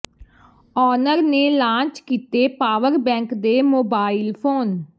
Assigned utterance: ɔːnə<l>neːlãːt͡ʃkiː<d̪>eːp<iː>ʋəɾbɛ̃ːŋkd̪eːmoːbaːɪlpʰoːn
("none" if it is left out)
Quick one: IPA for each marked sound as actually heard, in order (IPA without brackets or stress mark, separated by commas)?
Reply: ɾ, t̪, aː